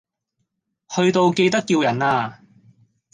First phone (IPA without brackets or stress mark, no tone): h